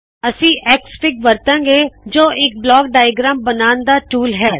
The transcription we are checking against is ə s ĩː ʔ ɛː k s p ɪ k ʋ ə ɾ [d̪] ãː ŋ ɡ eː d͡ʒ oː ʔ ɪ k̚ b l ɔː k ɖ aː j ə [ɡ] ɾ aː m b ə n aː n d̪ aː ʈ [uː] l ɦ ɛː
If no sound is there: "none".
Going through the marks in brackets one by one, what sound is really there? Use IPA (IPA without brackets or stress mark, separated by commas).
t̪, ɡ, uː